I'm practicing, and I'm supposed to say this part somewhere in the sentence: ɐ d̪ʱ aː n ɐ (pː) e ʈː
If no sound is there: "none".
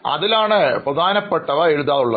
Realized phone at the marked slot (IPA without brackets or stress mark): pː